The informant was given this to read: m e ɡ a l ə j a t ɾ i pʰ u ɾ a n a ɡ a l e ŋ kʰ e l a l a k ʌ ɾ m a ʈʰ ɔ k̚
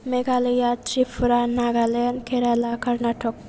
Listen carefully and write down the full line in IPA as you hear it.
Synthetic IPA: m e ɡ a l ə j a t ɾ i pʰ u ɾ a n a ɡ a l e n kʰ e ɾ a l a k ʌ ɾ n a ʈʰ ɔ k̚